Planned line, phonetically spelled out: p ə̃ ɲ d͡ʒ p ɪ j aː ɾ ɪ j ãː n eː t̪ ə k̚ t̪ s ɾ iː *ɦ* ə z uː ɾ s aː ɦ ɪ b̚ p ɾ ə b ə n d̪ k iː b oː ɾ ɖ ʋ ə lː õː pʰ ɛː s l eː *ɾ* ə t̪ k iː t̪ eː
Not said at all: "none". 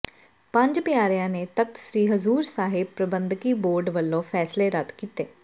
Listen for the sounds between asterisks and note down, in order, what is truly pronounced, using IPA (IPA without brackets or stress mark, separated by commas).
ɦ, ɾ